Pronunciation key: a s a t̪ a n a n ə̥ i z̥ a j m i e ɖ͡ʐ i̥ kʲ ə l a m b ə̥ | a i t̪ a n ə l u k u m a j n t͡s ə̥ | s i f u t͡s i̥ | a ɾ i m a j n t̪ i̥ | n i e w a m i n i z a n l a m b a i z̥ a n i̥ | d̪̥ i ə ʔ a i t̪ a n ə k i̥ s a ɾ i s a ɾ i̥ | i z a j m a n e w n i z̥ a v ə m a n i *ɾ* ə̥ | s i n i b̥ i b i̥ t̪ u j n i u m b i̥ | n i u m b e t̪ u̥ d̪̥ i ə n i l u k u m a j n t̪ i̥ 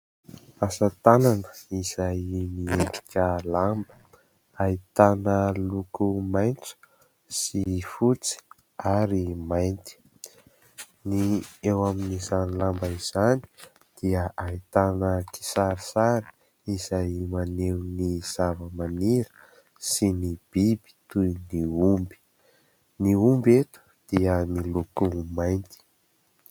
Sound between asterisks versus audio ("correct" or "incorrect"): correct